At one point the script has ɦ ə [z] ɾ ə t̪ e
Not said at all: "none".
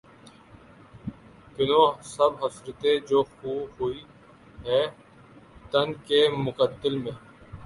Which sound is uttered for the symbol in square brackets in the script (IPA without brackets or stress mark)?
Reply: s